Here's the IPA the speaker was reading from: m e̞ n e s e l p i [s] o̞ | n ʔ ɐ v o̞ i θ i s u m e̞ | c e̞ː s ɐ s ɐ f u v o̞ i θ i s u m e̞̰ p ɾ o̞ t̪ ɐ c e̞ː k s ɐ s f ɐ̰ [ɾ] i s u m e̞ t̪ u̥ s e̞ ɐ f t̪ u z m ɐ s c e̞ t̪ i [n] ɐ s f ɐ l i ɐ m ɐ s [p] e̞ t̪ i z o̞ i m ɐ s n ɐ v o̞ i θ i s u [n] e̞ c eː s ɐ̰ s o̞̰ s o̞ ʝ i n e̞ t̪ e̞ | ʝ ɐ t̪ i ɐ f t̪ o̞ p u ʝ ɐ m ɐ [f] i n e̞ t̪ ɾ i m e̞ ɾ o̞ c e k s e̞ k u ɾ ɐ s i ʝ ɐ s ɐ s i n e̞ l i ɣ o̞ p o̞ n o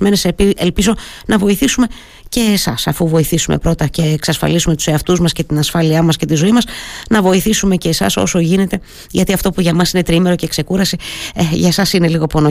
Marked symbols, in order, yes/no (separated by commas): no, no, yes, no, no, no